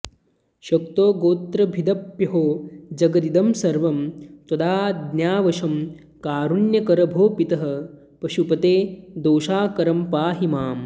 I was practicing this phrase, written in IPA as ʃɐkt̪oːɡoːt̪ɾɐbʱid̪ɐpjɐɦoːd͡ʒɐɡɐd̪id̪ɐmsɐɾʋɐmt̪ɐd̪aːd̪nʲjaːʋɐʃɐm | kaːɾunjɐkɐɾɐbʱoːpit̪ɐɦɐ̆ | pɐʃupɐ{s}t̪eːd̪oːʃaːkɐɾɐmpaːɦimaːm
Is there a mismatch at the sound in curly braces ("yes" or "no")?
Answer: yes